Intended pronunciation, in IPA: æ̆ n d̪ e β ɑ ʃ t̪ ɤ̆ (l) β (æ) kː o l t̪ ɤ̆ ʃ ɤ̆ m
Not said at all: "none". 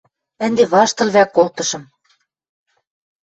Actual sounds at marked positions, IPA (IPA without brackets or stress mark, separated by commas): l, æ